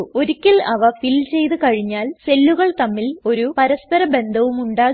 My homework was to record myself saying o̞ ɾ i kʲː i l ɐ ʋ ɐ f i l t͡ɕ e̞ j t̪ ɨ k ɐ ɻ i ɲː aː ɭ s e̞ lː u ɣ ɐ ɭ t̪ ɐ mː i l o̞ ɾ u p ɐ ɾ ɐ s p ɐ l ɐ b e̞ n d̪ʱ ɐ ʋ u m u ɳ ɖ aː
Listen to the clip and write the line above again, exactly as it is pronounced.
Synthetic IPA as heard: o̞ ɾ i kʲː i l ɐ ʋ ɐ f i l t͡ɕ e̞ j t̪ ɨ k ɐ ɻ i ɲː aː l s e̞ lː u ɣ ɐ ɭ t̪ ɐ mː i l o̞ ɾ u p ɐ ɾ ɐ s p ɐ ɾ ɐ b e̞ n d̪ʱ ɐ ʋ u m u ɳ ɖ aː

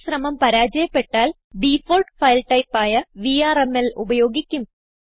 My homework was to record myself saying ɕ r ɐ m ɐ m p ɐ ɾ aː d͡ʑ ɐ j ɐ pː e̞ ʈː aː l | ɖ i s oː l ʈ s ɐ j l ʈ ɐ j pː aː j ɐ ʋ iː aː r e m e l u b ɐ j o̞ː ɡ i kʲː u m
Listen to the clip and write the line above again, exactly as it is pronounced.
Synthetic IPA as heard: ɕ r ɐ m ɐ m p ɐ ɾ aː d͡ʑ ɐ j ɐ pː e̞ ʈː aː l | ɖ i f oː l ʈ f ɐ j l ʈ ɐ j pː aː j ɐ ʋ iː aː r e m e l u b ɐ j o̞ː ɡ i kʲː u m

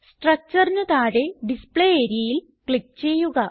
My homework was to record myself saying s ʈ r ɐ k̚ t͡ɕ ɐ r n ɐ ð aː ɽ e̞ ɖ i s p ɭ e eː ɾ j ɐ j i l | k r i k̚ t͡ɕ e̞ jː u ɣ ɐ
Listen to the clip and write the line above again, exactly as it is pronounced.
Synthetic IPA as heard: s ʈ r ɐ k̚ t͡ɕ ɐ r n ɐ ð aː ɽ e̞ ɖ i s p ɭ e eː ɾ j ɐ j i l | k ɭ i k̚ t͡ɕ e̞ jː u ɣ ɐ

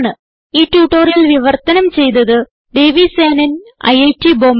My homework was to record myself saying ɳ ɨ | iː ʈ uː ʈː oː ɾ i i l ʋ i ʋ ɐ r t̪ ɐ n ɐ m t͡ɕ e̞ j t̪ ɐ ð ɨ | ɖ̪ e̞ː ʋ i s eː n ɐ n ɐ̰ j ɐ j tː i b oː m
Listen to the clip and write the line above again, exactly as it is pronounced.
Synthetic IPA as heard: ɳ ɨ | iː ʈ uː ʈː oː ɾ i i l ʋ i ʋ ɐ r t̪ ɐ n ɐ m t͡ɕ e̞ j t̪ ɐ ð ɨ | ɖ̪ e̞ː ʋ i s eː n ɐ n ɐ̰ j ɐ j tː i b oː m

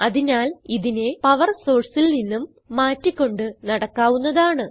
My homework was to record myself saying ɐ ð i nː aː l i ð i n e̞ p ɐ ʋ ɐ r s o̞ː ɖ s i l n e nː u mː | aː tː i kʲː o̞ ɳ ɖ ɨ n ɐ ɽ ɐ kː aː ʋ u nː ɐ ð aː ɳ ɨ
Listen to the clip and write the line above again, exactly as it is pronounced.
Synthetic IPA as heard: ɐ ð i n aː l i ð i n e̞ p ɐ ʋ ɐ r s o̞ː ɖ s i l n i nː u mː | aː tː i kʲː o̞ ɳ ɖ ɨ n ɐ ɽ ɐ kː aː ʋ u nː ɐ ð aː ɳ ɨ

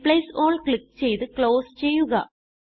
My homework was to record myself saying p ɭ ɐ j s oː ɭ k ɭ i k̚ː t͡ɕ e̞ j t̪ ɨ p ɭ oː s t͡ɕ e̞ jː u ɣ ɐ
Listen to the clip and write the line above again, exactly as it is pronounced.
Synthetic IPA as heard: p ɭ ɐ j s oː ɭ k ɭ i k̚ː t͡ɕ e̞ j t̪ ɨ k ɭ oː s t͡ɕ e̞ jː u ɣ ɐ

